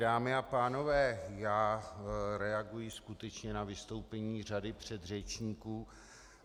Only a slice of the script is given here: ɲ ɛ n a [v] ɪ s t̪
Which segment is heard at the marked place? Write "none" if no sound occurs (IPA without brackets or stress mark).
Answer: v